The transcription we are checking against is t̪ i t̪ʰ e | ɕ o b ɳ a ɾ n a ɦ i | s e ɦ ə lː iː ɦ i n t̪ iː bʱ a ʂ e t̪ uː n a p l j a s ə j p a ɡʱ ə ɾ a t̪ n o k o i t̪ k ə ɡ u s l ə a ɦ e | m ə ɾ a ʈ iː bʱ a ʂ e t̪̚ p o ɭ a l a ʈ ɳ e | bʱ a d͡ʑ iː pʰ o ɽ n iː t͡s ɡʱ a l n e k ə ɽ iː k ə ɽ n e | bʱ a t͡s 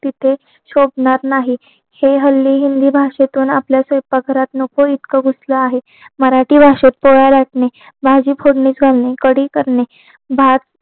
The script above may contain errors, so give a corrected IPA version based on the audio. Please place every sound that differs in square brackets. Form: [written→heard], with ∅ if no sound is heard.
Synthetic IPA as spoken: t̪ i t̪ʰ e | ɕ o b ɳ a ɾ n a ɦ i | [s→h] e ɦ ə lː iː ɦ i n [t̪→d̪] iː bʱ a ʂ e t̪ uː n a p l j a s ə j p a ɡʱ ə ɾ a t̪ n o k o i t̪ k ə ɡ u s l ə a ɦ e | m ə ɾ a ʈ iː bʱ a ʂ e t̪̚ p o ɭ a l a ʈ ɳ e | bʱ a d͡ʑ iː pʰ o ɽ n iː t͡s ɡʱ a l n e k ə ɽ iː k ə [ɽ→ɾ] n e | bʱ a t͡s